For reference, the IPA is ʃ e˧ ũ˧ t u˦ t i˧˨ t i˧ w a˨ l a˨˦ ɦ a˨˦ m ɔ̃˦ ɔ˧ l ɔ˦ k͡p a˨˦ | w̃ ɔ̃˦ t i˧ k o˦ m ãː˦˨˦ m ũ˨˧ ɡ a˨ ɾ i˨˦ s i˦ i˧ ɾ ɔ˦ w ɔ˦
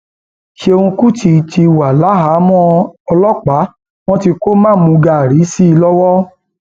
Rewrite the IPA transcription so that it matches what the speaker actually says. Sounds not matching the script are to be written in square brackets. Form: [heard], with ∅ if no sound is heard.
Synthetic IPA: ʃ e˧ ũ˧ [k] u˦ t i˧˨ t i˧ w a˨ l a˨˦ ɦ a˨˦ m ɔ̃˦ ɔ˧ l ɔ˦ k͡p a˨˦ | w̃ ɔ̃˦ t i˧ k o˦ m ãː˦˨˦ m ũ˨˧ ɡ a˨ ɾ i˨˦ s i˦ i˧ [l] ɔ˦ w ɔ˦